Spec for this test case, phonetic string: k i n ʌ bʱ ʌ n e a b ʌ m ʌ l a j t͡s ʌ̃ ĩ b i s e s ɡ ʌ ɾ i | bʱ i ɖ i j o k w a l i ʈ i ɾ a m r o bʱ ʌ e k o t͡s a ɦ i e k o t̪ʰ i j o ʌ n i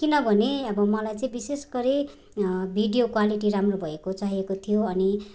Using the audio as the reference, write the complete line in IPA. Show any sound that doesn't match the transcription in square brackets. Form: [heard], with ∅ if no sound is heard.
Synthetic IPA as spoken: k i n ʌ bʱ ʌ n e [ʌ] b ʌ m ʌ l a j t͡s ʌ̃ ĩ b i s e s ɡ ʌ ɾ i | bʱ i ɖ i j o k w a l i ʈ i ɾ a m r o bʱ ʌ e k o t͡s a ɦ i e k o t̪ʰ i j o ʌ n i

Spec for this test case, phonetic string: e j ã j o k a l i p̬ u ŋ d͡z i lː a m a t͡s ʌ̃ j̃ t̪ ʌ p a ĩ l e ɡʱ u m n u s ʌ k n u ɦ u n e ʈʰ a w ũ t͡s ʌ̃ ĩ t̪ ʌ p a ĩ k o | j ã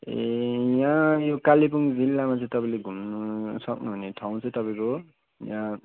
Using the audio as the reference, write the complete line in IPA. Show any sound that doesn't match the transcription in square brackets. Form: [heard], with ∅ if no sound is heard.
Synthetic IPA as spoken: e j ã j o k a l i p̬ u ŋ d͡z i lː a m a t͡s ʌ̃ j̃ t̪ ʌ p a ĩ l e ɡʱ u m n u s ʌ k n u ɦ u n e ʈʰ a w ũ t͡s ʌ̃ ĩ t̪ ʌ p a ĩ k o | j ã

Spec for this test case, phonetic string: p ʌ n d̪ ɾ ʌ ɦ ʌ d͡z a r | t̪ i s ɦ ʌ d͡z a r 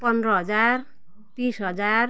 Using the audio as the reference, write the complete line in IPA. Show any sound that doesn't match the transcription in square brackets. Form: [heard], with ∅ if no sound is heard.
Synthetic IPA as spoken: p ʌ n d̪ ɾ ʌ ɦ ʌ d͡z a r | t̪ i s ɦ ʌ d͡z a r

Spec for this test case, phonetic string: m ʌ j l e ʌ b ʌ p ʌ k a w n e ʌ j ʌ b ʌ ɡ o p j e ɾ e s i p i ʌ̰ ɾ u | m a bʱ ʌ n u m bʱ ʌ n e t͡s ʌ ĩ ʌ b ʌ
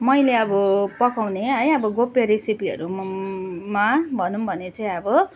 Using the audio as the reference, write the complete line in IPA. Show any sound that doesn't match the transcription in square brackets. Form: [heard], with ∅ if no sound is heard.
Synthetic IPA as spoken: m ʌ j l e ʌ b ʌ p ʌ k a w n e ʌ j ʌ b ʌ ɡ o p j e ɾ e s i p i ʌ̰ ɾ u | m a bʱ ʌ n u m bʱ ʌ n e t͡s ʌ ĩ ʌ b ʌ

